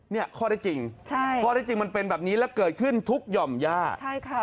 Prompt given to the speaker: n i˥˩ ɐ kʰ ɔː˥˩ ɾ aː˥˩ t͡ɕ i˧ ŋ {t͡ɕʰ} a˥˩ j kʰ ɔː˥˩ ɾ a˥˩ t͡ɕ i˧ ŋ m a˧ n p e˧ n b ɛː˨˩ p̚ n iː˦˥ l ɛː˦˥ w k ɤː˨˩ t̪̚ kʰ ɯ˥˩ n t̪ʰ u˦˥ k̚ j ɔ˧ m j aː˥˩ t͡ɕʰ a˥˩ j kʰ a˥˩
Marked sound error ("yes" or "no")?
no